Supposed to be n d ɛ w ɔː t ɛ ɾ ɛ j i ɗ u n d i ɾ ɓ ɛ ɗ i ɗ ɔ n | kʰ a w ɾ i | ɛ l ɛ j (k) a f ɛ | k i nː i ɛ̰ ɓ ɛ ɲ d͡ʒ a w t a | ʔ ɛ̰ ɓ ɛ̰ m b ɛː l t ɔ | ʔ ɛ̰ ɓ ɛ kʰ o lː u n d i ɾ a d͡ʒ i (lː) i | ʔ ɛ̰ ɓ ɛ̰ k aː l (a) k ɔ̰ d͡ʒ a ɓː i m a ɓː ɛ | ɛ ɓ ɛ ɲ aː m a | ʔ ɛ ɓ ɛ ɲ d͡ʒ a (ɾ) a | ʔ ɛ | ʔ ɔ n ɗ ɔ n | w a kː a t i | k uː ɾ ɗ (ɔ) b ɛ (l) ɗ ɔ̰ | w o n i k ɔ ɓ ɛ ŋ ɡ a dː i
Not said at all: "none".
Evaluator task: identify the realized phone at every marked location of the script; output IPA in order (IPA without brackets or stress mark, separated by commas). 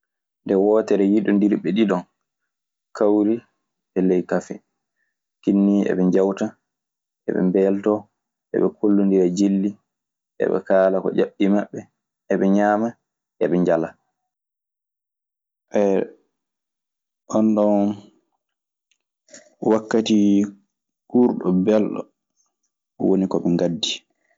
k, lː, a, l, ɔ, l